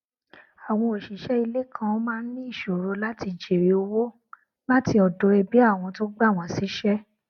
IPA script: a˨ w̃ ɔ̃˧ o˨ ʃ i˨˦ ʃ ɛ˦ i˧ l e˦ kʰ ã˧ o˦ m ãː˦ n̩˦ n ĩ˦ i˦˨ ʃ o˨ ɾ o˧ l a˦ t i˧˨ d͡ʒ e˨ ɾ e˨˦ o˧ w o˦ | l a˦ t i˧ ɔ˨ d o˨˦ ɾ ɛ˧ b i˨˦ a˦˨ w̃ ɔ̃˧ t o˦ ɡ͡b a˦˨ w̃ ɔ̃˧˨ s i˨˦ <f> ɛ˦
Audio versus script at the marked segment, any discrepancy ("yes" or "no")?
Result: yes